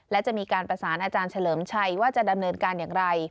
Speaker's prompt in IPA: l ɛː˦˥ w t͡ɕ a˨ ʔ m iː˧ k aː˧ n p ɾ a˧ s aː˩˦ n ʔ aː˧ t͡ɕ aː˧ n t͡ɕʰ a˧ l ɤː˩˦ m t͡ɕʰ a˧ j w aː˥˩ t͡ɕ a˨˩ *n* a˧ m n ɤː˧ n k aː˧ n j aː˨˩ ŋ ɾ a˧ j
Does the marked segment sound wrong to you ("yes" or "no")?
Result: yes